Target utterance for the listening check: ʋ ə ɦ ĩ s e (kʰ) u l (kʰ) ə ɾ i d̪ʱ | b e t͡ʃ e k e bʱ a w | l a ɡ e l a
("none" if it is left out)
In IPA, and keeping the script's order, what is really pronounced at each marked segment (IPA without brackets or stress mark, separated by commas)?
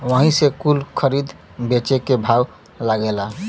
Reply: k, kʰ